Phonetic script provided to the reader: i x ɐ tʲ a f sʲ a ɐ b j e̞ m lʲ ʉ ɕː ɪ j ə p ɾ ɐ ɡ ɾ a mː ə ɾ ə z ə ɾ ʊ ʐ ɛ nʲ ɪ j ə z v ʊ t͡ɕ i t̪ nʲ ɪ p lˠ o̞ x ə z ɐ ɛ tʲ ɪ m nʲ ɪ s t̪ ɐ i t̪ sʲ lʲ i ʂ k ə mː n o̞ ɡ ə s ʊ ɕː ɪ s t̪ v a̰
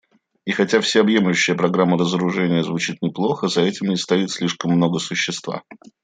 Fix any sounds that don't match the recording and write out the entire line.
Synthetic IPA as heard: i x ɐ tʲ a f sʲ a ɐ b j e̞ m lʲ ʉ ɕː ɪ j ə p ɾ ɐ ɡ ɾ a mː ə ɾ ə z ə ɾ ʊ ʐ ɛ nʲ ɪ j ə z v ʊ t͡ɕ i t̪ nʲ ɪ p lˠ o̞ x ə z ɐ ɛ tʲ ɪ m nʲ ɪ s t̪ ɐ i t̪ sʲ lʲ i ʂ k ə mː n o̞ ɡ ə s ʊ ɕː ɪ s t̪ v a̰